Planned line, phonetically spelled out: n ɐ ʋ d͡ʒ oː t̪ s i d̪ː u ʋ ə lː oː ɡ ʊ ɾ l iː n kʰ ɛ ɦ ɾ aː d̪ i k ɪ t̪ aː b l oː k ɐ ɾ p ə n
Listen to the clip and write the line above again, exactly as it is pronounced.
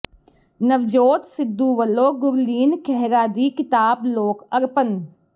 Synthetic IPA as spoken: n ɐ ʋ d͡ʒ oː t̪ s ɪ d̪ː u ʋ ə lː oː ɡ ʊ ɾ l iː n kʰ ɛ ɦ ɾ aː d̪ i k ɪ t̪ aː b l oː k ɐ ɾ p ə n